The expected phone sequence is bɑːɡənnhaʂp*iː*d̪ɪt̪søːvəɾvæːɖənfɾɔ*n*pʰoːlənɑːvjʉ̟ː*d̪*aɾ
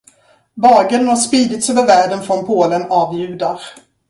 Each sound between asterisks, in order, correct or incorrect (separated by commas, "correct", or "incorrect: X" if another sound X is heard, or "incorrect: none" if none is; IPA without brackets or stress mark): correct, correct, correct